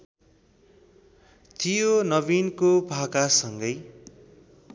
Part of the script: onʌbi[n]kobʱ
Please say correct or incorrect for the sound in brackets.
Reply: correct